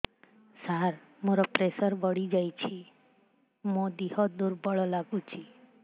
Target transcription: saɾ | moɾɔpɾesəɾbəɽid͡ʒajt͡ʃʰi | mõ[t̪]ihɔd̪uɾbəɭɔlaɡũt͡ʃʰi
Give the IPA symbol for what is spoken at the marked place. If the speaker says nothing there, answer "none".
d̪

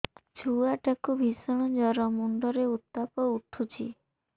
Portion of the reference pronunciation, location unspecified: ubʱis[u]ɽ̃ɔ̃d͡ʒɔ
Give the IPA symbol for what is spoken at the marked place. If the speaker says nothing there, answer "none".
ɔ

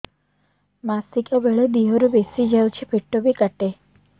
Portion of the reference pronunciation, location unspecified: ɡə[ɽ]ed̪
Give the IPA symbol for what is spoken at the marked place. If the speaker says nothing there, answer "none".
ɭ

